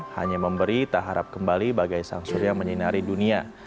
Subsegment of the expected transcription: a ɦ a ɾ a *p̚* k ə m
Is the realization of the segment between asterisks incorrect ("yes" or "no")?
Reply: no